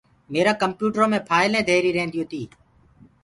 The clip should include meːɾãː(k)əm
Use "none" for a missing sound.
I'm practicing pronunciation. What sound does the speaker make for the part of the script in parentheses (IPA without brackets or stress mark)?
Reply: k